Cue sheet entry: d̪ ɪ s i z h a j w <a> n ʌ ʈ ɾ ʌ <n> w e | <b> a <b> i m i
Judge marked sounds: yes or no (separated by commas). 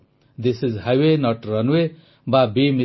no, yes, yes, yes